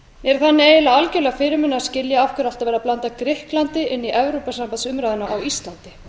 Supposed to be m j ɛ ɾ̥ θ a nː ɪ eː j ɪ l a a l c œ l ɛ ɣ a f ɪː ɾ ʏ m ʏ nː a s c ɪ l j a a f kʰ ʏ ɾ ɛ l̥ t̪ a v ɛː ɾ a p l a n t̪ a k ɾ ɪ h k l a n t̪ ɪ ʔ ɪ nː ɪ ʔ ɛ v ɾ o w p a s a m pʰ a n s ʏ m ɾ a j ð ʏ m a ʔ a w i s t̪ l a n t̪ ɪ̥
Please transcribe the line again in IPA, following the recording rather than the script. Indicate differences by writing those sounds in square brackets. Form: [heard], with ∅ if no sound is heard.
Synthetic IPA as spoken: m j ɛ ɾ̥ θ a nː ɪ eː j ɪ l a a l c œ l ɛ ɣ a f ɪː ɾ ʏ m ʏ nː a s c ɪ l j a a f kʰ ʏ ɾ [a] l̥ t̪ a v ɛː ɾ a p l a n t̪ a k ɾ ɪ h k l a n t̪ ɪ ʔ ɪ nː [i] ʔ ɛ v ɾ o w p a s a m [p] a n s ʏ m ɾ a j ð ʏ [n] a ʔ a w i s t̪ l a n t̪ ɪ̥